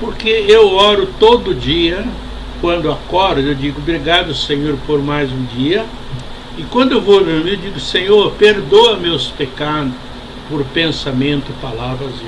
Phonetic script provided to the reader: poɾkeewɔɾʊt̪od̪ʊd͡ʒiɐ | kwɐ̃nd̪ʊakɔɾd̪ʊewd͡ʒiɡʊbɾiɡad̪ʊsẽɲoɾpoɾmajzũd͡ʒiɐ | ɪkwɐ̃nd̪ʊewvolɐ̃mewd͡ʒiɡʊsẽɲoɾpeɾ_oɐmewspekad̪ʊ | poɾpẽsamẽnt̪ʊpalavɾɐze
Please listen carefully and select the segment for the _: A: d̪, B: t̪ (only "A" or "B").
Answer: A